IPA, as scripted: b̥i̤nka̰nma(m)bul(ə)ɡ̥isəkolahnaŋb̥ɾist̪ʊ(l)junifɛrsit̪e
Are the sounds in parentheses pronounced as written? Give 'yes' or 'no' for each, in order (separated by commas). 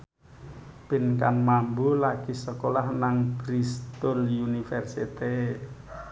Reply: yes, no, yes